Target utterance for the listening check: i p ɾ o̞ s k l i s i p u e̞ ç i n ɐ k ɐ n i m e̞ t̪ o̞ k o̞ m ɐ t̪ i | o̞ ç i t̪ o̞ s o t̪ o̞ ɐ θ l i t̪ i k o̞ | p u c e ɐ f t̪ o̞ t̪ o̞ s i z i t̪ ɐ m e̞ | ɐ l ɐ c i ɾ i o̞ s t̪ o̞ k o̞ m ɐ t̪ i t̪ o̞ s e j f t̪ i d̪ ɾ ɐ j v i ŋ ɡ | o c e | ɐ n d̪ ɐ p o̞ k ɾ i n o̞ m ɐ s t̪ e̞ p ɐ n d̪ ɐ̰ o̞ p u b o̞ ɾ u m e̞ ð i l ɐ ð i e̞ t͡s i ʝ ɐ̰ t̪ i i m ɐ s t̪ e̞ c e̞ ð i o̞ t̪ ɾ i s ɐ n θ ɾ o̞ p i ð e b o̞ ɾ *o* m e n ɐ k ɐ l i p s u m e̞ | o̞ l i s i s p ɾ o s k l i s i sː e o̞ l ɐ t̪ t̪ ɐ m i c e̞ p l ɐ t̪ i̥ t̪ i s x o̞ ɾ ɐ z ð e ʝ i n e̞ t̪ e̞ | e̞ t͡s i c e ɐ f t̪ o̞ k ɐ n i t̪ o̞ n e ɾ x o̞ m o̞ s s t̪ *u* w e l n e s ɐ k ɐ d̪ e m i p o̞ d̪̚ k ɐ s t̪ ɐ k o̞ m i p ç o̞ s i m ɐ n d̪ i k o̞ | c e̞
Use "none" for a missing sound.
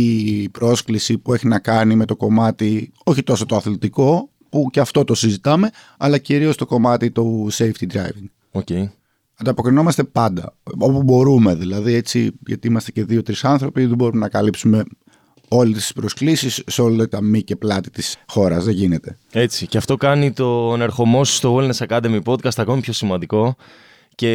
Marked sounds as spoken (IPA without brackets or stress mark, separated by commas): u, o